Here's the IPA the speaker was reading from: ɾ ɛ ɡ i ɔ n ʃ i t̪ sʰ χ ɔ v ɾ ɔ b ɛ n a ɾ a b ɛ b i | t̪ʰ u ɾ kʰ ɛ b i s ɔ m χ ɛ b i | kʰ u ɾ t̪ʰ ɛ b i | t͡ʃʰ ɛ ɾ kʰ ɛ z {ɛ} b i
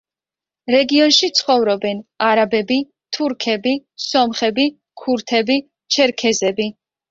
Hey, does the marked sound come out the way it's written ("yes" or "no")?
yes